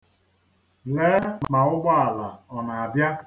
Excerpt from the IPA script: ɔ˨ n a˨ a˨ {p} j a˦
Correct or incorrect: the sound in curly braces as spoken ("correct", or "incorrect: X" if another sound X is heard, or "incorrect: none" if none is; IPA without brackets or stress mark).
incorrect: b